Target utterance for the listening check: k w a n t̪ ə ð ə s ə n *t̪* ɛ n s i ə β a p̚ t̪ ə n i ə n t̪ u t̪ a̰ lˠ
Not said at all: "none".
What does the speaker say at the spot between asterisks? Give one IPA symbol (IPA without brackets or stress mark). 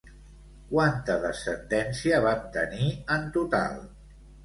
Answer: d̪